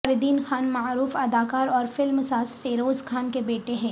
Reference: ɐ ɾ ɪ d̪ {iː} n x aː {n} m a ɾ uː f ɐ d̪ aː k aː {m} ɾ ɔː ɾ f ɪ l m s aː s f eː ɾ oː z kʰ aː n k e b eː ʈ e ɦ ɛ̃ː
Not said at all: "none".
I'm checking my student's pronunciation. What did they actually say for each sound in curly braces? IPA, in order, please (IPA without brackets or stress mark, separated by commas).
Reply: iː, n, none